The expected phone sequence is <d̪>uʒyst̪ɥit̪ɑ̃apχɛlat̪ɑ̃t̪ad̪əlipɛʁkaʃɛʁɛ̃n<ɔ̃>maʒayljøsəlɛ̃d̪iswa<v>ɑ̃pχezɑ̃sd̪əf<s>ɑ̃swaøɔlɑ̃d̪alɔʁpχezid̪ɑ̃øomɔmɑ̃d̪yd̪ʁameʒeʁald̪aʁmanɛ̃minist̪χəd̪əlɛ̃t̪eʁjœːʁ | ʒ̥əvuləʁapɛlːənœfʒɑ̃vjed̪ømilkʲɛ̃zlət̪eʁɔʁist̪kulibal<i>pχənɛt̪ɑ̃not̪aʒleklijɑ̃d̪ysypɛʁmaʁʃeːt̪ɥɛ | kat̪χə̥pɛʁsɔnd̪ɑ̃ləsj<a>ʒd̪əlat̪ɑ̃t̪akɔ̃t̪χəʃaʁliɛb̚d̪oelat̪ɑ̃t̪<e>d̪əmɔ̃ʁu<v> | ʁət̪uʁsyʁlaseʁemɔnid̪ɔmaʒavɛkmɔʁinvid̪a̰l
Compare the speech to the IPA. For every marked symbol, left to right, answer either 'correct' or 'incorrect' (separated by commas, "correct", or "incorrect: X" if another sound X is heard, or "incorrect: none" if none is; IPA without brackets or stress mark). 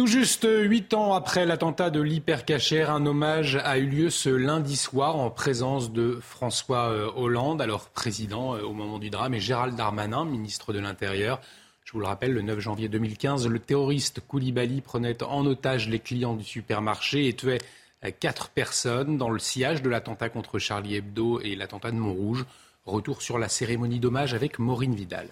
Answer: incorrect: t̪, incorrect: ɔ, incorrect: ʁ, incorrect: χ, correct, correct, incorrect: a, incorrect: ʒ